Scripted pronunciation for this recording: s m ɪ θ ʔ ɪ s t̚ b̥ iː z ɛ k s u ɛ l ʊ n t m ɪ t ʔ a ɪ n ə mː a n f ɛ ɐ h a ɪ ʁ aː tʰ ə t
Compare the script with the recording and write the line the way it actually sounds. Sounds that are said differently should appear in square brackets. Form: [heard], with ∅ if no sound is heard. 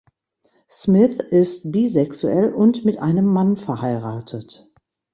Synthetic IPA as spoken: s m ɪ θ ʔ ɪ s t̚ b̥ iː z ɛ k s u ɛ l ʊ n t m ɪ t ʔ a ɪ n ə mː a n f ɛ ɐ h a ɪ ʁ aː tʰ ə t